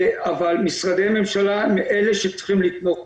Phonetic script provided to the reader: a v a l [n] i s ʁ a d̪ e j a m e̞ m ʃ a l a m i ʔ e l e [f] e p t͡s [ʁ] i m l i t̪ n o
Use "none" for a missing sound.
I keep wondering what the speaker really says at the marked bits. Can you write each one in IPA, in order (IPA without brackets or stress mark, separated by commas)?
m, ʃ, χ